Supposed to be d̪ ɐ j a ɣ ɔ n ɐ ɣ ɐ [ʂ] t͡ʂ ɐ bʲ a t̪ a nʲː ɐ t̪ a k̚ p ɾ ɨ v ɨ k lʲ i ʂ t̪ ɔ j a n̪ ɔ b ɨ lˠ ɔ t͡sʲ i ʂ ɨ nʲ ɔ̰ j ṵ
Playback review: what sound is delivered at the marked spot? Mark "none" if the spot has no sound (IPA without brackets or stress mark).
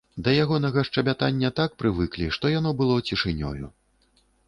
ʂ